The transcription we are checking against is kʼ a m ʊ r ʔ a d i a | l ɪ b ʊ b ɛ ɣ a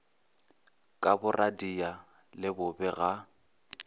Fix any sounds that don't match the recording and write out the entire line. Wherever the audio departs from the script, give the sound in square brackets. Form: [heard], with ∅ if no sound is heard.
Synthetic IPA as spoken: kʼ a [b] ʊ r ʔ a d i a | l ɪ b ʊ b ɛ ɣ a